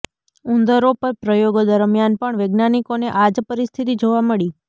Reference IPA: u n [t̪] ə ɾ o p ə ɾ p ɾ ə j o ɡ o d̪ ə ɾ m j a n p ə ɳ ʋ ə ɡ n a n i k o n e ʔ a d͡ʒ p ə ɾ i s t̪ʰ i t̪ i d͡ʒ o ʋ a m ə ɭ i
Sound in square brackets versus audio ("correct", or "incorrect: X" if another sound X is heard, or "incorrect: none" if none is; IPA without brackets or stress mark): incorrect: d̪